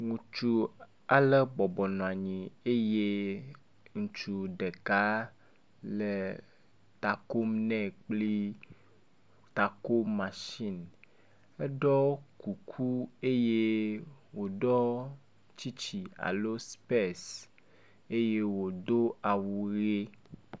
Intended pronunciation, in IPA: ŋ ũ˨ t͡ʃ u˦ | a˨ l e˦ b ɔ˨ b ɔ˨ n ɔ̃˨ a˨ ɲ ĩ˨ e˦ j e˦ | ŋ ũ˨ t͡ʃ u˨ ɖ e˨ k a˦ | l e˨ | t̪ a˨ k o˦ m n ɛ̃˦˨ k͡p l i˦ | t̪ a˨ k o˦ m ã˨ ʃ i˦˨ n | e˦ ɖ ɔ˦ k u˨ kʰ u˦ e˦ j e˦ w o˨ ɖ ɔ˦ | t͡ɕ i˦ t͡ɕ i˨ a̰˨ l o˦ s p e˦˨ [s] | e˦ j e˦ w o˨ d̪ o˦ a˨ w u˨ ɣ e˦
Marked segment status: correct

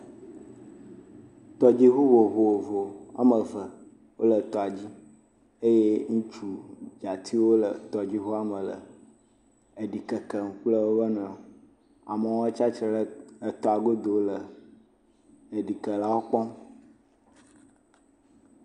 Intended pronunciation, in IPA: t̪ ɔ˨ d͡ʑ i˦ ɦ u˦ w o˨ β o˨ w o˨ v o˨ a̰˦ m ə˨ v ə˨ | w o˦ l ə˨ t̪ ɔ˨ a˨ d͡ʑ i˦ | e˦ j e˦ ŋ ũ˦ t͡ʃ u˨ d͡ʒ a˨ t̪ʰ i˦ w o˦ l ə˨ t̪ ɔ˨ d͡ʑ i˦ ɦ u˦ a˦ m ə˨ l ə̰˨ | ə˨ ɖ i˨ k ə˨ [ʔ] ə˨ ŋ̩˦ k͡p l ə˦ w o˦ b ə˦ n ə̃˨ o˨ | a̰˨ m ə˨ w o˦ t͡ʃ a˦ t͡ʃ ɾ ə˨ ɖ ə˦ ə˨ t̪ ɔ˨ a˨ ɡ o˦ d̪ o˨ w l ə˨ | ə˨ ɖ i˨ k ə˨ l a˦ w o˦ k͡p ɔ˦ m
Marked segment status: incorrect: k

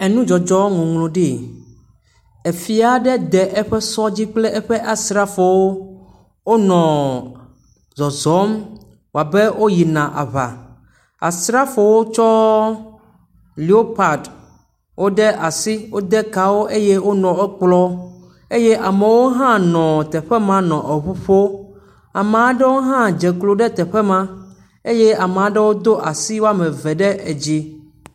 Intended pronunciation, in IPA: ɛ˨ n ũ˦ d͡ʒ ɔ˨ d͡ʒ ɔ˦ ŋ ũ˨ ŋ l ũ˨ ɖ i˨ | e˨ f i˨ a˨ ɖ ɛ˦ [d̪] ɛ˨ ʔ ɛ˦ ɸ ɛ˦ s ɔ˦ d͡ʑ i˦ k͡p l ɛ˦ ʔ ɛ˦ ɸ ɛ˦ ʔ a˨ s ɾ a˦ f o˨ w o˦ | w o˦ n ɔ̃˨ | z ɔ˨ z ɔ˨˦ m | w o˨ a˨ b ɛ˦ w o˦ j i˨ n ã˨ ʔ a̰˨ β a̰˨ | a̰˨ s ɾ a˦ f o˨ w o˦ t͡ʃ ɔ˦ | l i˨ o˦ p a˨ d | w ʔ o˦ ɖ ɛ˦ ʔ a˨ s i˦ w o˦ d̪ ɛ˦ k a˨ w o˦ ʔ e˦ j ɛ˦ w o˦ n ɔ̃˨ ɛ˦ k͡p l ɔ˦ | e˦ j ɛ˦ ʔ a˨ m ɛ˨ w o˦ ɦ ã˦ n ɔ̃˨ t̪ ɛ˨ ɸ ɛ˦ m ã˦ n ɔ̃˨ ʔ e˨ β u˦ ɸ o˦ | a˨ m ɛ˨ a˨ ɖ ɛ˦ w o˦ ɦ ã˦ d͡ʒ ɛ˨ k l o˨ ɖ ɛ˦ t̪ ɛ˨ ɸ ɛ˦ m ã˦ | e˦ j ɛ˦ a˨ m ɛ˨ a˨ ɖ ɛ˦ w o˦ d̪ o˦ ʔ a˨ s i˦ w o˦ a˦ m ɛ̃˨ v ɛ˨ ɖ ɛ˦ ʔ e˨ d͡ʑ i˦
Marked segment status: correct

